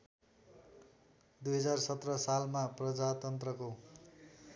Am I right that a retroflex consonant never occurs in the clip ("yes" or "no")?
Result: yes